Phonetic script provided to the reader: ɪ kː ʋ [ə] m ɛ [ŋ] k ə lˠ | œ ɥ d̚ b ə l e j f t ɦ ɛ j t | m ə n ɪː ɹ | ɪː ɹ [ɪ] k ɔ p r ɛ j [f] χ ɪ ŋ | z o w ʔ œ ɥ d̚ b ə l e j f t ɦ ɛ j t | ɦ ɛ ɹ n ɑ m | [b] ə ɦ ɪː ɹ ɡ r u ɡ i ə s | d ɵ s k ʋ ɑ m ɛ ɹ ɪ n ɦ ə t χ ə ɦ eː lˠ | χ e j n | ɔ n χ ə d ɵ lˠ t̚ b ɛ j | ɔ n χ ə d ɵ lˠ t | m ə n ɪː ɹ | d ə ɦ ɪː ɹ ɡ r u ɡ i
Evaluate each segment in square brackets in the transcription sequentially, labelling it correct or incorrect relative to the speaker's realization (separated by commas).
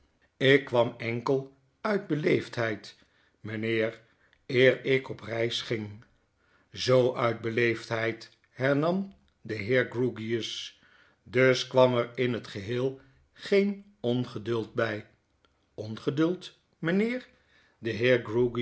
incorrect, correct, correct, incorrect, incorrect